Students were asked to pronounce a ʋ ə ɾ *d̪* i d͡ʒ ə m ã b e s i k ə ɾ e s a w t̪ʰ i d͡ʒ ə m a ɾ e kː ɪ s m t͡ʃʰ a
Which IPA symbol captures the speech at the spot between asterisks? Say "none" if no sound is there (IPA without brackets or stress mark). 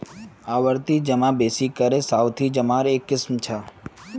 t̪